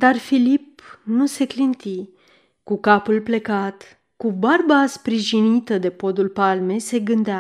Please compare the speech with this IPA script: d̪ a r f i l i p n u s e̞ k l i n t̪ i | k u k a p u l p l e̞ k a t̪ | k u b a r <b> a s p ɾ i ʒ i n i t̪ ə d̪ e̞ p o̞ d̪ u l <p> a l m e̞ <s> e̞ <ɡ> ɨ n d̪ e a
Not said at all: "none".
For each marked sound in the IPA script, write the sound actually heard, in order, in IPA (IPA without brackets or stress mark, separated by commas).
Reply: b, p, s, ɡ